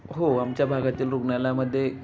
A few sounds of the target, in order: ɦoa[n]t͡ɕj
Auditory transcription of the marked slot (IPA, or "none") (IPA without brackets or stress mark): m